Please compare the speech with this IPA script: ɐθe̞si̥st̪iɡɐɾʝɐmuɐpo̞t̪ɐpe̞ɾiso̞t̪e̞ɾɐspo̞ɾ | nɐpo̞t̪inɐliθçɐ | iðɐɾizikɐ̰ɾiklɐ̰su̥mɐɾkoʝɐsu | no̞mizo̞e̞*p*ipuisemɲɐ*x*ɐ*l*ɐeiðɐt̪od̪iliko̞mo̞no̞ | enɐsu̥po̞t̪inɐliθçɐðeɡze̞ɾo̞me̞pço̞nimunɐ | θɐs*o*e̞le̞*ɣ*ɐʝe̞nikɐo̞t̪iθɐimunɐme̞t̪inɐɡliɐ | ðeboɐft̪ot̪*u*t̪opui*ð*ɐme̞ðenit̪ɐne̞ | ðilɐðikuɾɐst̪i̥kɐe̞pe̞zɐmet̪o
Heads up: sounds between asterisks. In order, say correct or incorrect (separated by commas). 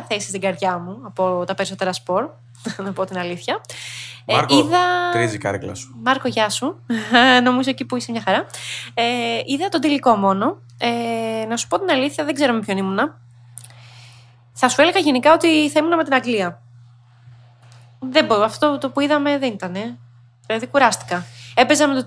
incorrect, correct, incorrect, incorrect, correct, incorrect, correct